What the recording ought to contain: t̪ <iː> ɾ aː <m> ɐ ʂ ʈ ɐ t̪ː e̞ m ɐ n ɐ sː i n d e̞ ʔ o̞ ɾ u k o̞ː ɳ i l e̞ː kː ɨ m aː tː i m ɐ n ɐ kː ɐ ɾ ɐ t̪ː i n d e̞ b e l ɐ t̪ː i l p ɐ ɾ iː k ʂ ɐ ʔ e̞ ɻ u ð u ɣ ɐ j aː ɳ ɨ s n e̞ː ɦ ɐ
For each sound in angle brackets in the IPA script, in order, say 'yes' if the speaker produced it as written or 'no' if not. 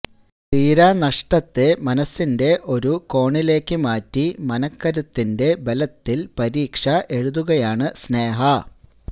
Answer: yes, no

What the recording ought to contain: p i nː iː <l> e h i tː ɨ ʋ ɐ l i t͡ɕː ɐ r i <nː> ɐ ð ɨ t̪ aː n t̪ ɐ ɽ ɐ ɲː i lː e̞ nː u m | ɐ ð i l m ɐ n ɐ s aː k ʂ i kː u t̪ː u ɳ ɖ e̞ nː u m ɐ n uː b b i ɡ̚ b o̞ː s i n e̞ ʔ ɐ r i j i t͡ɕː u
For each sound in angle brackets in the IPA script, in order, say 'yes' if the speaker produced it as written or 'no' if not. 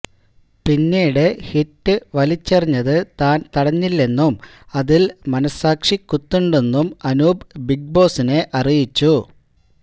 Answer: no, no

